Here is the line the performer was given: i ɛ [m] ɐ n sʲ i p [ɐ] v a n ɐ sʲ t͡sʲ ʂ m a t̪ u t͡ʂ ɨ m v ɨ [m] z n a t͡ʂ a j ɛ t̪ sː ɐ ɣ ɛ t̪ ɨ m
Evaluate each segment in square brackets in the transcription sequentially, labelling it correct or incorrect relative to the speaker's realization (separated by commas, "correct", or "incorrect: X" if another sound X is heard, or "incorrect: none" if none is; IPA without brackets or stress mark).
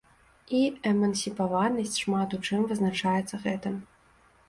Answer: correct, incorrect: a, incorrect: none